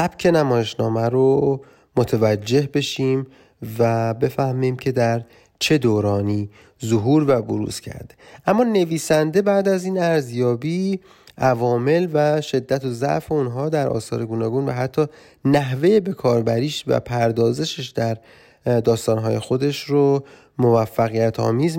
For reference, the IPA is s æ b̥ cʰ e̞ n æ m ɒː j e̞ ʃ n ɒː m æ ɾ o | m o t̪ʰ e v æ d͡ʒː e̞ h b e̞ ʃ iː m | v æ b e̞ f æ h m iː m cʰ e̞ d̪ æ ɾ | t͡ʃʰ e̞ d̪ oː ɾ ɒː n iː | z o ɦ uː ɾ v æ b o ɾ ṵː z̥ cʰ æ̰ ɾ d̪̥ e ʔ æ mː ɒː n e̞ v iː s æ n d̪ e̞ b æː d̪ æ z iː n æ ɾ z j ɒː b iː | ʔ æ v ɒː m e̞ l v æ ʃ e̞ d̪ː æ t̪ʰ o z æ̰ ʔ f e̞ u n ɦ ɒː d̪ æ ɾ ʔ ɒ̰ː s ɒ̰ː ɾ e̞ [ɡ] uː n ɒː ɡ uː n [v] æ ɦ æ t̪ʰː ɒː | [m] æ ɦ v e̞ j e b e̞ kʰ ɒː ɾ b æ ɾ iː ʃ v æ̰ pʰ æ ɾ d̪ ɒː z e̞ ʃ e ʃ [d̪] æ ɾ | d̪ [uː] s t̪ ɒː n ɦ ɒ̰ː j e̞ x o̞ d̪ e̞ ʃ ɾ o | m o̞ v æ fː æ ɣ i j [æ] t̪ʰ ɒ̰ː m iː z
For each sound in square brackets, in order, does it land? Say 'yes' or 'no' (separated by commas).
yes, yes, no, yes, no, yes